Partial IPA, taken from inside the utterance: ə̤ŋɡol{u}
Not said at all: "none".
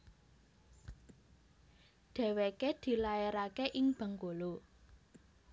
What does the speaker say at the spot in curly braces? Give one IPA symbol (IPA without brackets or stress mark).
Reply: o